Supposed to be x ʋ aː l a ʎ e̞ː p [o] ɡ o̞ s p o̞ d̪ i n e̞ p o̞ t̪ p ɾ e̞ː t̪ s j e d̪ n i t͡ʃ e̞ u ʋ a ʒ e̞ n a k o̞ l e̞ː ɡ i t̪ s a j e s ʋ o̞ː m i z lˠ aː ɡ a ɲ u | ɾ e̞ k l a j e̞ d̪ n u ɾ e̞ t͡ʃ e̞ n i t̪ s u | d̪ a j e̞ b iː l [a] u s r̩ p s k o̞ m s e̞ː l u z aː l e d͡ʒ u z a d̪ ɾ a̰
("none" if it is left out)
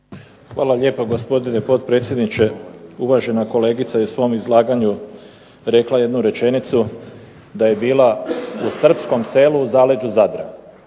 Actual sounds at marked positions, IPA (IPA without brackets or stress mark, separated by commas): o, a